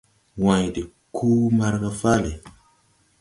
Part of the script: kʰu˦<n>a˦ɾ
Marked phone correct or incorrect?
incorrect: m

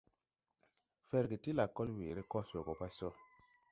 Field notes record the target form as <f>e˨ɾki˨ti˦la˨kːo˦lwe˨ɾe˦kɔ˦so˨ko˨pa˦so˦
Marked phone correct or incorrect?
correct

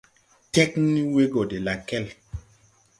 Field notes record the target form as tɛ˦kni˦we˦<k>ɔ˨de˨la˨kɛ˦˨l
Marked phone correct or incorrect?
incorrect: ɡ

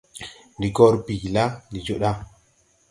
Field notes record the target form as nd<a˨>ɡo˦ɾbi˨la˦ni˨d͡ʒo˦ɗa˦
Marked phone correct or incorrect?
incorrect: i˨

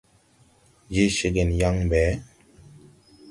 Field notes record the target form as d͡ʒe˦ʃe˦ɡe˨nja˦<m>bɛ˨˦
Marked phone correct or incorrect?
incorrect: ŋ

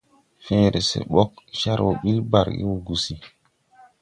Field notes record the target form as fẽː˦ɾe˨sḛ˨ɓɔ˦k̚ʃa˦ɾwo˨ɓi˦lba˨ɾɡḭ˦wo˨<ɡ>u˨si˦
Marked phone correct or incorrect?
correct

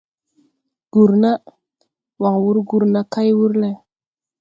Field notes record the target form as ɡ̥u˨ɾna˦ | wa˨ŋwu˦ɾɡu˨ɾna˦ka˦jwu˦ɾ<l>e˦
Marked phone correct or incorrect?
correct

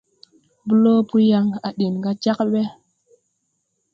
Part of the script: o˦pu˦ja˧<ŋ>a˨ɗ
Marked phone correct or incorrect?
correct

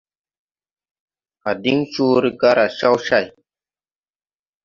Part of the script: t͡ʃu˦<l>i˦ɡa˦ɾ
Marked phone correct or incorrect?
incorrect: ɾ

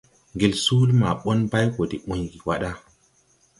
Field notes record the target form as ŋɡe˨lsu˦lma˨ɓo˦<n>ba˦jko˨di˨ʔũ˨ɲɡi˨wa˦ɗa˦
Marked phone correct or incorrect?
correct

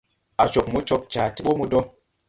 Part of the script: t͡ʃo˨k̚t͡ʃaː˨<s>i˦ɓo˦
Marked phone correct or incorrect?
incorrect: t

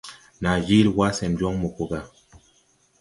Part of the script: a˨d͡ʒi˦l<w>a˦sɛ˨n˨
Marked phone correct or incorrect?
correct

